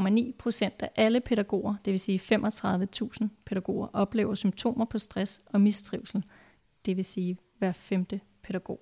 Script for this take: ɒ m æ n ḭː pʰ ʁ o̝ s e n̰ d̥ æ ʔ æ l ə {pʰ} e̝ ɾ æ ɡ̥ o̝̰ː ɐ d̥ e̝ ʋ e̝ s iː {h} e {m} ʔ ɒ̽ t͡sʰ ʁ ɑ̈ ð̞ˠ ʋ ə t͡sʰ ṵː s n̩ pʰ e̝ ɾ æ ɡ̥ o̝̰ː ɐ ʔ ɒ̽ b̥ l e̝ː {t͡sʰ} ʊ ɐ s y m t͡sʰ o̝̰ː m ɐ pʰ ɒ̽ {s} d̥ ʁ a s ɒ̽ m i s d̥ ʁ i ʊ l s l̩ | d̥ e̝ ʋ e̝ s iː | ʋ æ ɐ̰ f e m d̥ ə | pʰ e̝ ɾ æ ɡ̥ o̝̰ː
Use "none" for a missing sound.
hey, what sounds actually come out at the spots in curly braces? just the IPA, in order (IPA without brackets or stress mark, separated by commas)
pʰ, f, m, none, s